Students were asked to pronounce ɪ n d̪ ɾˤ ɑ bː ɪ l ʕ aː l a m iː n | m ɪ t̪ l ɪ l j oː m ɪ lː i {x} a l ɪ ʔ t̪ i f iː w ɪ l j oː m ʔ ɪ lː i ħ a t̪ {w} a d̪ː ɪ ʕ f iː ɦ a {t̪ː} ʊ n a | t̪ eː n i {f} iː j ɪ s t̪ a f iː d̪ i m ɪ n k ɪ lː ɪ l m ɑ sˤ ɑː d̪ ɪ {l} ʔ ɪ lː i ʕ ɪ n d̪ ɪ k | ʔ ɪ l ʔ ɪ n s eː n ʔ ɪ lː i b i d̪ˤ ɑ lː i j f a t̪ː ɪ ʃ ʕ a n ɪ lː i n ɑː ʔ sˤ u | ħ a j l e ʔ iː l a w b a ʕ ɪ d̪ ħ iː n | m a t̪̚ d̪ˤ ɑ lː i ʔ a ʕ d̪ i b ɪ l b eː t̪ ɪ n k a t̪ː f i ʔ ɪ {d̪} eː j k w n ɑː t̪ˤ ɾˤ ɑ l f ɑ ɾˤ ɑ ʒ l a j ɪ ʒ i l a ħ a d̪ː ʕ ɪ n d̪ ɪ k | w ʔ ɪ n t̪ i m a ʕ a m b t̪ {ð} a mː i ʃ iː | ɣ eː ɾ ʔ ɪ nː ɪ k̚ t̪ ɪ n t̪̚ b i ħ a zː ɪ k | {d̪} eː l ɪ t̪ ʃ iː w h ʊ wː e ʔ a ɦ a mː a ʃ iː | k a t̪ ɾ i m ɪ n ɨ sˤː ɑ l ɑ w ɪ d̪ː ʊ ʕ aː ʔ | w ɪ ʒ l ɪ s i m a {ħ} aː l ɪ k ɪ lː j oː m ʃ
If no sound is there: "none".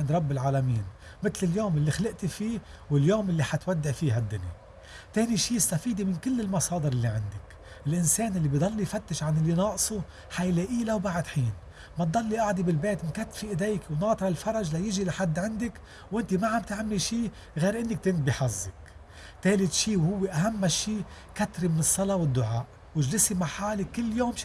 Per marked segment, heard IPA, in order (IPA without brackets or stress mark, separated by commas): x, w, d̪ː, ʃ, ɾ, d̪, ʕ, t̪, ħ